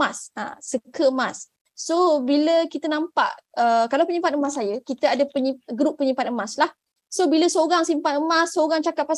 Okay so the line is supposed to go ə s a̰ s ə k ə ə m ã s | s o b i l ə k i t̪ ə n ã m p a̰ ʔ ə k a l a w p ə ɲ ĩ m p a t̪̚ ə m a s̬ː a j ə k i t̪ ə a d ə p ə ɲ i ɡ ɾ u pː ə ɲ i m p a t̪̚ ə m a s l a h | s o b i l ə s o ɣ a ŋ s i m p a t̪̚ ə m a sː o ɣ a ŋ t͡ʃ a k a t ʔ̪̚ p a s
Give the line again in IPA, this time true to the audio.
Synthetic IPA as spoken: a s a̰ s ə k ə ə m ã s | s o b i l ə k i t̪ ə n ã m p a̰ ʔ ə k a l a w p ə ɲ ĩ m p a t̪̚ ə m a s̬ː a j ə k i t̪ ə a d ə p ə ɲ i ɡ ɾ u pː ə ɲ i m p a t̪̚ ə m a s l a h | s o b i l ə s o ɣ a ŋ s i m p a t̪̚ ə m a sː o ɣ a ŋ t͡ʃ a k a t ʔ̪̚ p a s